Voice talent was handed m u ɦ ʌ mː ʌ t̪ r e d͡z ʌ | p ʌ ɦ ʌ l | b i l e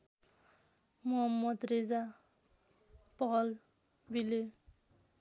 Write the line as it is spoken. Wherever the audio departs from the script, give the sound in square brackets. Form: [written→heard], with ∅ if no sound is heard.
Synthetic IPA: m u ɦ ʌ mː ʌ [t̪→d̪] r e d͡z [ʌ→a] | p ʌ ɦ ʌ l | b i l e